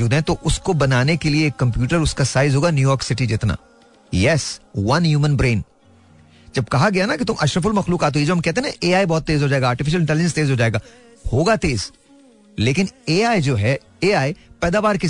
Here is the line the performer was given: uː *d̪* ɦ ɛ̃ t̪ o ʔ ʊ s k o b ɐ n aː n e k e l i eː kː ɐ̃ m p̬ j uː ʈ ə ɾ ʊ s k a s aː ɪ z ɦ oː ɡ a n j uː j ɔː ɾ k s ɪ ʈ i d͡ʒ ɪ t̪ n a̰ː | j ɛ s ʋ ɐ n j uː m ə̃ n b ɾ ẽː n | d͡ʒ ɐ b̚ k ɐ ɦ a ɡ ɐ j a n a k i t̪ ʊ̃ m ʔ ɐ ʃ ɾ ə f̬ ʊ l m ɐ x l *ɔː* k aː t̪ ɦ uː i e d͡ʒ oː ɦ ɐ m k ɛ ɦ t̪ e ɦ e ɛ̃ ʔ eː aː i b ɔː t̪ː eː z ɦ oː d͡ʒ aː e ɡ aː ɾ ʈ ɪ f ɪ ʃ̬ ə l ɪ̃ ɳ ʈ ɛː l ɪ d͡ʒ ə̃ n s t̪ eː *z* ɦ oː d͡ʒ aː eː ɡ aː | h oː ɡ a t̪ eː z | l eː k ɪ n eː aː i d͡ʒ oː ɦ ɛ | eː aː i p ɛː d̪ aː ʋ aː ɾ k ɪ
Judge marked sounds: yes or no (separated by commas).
yes, no, yes